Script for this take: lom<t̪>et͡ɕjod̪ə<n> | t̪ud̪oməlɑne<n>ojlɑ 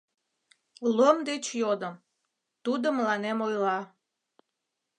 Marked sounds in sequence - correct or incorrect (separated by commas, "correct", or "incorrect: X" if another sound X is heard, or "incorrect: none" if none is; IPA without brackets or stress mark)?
incorrect: d̪, incorrect: m, incorrect: m